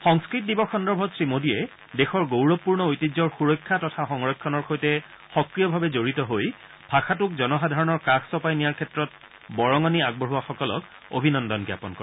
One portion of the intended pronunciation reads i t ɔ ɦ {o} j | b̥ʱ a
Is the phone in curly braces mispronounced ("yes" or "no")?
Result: no